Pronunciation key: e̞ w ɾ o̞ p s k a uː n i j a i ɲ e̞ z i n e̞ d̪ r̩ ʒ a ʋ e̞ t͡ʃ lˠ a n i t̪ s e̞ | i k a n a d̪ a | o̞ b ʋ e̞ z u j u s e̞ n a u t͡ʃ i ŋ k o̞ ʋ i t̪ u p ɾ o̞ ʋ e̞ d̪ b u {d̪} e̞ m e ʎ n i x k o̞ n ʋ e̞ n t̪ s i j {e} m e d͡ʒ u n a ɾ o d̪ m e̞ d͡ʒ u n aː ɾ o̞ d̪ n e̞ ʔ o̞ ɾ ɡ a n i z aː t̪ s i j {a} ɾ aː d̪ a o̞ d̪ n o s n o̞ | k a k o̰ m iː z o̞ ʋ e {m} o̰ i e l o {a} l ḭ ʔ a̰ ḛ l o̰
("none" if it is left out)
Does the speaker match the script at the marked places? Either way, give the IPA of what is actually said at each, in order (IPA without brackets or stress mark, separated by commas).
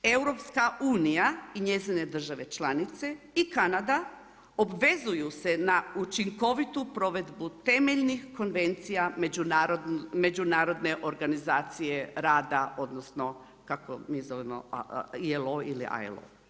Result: t̪, a, e, m, i